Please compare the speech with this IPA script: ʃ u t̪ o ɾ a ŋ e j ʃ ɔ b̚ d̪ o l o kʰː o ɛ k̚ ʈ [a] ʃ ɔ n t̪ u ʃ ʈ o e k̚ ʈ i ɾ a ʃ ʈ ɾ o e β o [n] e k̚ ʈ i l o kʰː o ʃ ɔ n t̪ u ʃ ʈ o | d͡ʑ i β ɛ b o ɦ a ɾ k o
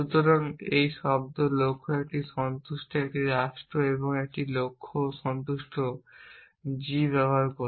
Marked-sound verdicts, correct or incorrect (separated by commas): incorrect, incorrect